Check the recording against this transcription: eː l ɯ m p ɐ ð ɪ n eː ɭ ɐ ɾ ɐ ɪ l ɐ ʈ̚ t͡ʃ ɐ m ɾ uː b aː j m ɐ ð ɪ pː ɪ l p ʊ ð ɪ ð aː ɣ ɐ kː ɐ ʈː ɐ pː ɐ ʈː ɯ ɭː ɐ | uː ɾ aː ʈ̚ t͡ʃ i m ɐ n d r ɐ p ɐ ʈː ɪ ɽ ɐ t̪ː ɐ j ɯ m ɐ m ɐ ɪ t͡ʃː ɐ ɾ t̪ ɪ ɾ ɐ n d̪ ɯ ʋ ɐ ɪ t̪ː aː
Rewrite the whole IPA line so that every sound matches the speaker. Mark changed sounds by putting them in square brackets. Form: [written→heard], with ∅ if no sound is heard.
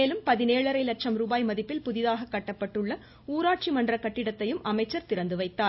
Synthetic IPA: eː l ɯ m p ɐ ð ɪ n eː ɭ ɐ ɾ ɐ ɪ l ɐ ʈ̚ t͡ʃ ɐ m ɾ uː b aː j m ɐ ð ɪ pː ɪ l p ʊ ð ɪ ð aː ɣ ɐ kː ɐ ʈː ɐ pː ɐ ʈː ɯ ɭː ɐ | uː ɾ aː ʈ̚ t͡ʃ i m ɐ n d r ɐ [p→k] ɐ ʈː ɪ ɽ ɐ t̪ː ɐ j ɯ m ɐ m ɐ ɪ t͡ʃː ɐ ɾ t̪ ɪ ɾ ɐ n d̪ ɯ ʋ ɐ ɪ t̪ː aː

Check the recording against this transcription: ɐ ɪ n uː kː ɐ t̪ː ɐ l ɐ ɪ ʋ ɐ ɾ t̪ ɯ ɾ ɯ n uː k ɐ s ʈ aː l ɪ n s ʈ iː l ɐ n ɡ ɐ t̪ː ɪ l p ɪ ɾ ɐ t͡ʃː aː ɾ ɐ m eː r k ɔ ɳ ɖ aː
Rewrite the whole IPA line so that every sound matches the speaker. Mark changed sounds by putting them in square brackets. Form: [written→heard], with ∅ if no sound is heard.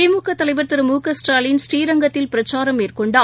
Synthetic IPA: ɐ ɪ [n→m] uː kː ɐ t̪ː ɐ l ɐ ɪ ʋ ɐ ɾ t̪ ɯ ɾ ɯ [n→m] uː k ɐ s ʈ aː l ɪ n s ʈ iː [l→ɾ] ɐ [n→ŋ] ɡ ɐ t̪ː ɪ l p ɪ ɾ ɐ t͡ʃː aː ɾ ɐ m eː r k ɔ ɳ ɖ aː

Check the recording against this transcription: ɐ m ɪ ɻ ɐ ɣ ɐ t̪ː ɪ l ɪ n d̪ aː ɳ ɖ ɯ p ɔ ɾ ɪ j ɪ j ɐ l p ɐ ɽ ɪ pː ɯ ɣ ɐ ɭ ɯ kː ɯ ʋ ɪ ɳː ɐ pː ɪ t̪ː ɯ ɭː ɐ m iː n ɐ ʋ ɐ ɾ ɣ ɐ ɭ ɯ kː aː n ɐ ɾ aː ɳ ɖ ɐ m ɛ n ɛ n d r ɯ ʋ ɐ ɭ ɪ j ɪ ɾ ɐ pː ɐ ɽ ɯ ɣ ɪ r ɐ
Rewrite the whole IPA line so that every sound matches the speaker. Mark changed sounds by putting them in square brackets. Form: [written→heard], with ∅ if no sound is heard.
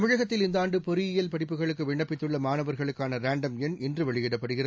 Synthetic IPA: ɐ m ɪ ɻ ɐ ɣ ɐ t̪ː ɪ l ɪ n d̪ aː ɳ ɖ ɯ p ɔ ɾ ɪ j ɪ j ɐ l p ɐ ɽ ɪ pː ɯ ɣ ɐ ɭ ɯ kː ɯ ʋ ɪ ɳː ɐ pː ɪ t̪ː ɯ ɭː ɐ m [iː→aː] n ɐ ʋ ɐ ɾ ɣ ɐ ɭ ɯ kː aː n ɐ ɾ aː ɳ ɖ ɐ m ɛ n ɛ n d r ɯ ʋ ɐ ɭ ɪ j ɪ [ɾ→ɽ] ɐ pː ɐ ɽ ɯ ɣ ɪ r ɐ

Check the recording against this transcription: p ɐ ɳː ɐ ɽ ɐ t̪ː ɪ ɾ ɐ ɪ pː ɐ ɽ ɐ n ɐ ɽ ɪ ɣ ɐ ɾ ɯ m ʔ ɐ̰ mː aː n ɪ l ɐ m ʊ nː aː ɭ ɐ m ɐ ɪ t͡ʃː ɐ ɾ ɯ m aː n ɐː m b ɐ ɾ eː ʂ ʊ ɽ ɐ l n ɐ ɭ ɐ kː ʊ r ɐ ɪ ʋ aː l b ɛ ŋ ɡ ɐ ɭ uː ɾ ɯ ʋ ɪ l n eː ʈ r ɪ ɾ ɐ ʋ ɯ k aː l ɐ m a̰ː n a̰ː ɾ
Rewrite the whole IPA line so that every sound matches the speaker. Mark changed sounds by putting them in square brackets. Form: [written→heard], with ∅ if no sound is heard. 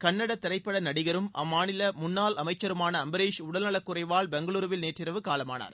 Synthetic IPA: [p→k] ɐ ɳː ɐ ɽ ɐ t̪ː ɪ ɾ ɐ ɪ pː ɐ ɽ ɐ n ɐ ɽ ɪ ɣ ɐ ɾ ɯ m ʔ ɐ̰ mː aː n ɪ l ɐ m ʊ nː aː [ɭ→l] ɐ m ɐ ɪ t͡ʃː ɐ ɾ ɯ m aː n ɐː m b ɐ ɾ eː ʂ ʊ ɽ ɐ l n ɐ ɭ ɐ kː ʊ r ɐ ɪ ʋ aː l b ɛ ŋ ɡ ɐ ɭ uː ɾ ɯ ʋ ɪ l n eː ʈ r ɪ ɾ ɐ ʋ ɯ k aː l ɐ m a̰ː n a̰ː ɾ

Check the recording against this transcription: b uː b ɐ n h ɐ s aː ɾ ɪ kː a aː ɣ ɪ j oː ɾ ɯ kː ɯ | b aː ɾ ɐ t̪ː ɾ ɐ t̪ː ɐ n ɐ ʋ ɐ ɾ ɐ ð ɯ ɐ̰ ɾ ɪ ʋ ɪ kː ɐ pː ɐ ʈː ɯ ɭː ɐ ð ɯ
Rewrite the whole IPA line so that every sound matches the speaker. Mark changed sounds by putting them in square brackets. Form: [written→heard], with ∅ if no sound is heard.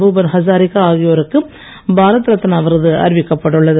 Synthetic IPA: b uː b ɐ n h ɐ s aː ɾ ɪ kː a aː ɣ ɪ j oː ɾ ɯ kː ɯ | b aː ɾ ɐ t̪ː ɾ ɐ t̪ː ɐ n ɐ ʋ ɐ ɾ ɐ ð ɯ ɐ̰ ɾ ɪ ʋ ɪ kː ɐ pː ɐ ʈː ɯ ɭː ɐ ð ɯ

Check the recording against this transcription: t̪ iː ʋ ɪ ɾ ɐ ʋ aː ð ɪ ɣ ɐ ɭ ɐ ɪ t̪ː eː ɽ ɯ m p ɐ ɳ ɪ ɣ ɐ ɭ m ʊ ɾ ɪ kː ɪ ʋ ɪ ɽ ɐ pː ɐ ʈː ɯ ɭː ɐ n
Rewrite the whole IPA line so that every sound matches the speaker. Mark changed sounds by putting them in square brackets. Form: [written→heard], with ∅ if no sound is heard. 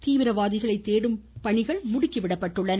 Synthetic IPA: t̪ iː ʋ ɪ ɾ ɐ ʋ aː ð ɪ ɣ ɐ ɭ ɐ ɪ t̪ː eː ɽ ɯ m p ɐ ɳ ɪ ɣ ɐ ɭ m ʊ [ɾ→ɽ] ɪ kː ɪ ʋ ɪ ɽ ɐ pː ɐ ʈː ɯ ɭː ɐ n

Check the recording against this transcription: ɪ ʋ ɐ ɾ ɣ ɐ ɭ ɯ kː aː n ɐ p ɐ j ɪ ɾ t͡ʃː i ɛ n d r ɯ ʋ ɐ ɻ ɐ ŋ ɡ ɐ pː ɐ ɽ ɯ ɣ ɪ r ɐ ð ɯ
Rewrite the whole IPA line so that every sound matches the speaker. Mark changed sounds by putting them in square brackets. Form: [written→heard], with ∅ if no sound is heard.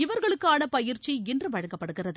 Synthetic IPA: ɪ ʋ ɐ ɾ ɣ ɐ ɭ ɯ kː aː n ɐ p ɐ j ɪ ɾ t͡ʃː i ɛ n d r ɯ ʋ ɐ ɻ ɐ ŋ ɡ ɐ pː ɐ ɽ ɯ ɣ ɪ r ɐ ð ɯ

